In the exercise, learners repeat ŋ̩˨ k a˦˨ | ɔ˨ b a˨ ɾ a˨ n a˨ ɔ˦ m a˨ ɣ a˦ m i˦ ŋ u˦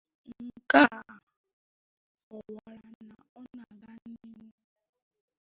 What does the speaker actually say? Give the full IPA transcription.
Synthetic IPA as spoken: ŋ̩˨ k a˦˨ | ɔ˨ w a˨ ɾ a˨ n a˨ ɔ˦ n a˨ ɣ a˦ n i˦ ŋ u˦